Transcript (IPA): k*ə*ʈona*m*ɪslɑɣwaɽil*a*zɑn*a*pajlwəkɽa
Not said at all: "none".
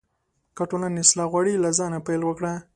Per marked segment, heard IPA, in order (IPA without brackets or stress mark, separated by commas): a, n, a, a